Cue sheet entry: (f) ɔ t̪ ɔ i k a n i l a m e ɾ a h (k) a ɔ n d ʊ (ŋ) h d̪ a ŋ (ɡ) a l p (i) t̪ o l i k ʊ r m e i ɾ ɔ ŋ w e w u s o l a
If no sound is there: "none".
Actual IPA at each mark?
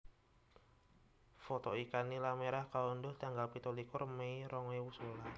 f, k, none, ɡ, i

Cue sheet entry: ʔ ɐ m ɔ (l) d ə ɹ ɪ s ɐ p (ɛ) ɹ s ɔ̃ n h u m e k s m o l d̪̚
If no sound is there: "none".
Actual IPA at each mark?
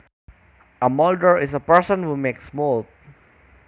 l, ɛ

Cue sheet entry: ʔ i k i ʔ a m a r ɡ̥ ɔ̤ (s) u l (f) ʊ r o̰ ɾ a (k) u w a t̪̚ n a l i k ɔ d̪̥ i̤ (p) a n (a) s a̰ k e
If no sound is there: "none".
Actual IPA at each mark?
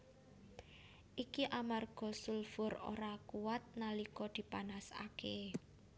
s, f, k, p, a

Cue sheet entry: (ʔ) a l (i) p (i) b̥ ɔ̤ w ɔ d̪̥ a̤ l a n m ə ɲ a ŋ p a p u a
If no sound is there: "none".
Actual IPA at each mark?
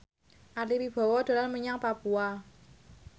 ʔ, i, i

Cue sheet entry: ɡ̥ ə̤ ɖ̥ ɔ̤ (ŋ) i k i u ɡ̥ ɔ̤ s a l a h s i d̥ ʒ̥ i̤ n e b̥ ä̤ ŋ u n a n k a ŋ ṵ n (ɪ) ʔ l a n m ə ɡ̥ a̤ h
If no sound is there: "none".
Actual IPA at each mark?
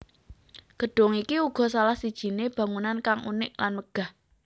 ŋ, ɪ

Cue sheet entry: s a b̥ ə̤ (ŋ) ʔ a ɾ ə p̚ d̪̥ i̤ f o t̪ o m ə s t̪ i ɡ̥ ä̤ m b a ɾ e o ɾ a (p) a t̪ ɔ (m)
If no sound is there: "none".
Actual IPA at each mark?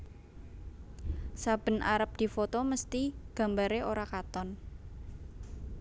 n, k, n

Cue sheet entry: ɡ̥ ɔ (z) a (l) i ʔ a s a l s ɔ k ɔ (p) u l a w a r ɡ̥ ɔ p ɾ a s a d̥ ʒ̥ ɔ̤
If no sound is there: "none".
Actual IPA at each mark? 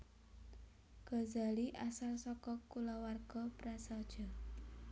z, l, k

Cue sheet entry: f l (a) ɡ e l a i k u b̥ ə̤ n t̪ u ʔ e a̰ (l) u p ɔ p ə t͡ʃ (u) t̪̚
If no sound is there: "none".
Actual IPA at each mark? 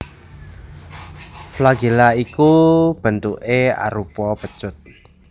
a, ɾ, ʊ

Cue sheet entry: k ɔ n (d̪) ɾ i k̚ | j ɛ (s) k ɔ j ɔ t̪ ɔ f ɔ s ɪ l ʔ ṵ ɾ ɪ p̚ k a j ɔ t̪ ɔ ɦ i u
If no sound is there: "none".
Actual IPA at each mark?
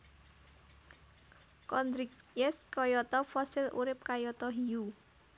d̪, s

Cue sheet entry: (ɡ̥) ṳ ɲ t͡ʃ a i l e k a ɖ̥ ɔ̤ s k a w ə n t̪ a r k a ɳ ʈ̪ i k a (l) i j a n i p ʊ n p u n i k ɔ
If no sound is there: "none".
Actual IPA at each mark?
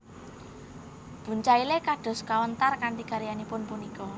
b̥, ɾ

